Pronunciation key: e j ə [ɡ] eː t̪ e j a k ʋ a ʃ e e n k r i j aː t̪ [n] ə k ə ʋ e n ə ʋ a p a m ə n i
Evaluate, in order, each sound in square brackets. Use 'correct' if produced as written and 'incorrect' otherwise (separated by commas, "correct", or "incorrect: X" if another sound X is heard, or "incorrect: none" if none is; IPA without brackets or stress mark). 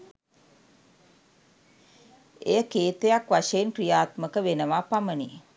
incorrect: k, incorrect: m